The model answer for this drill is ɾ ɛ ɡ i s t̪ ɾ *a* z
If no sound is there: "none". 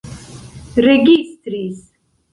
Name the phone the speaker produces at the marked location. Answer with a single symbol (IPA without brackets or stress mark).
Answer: i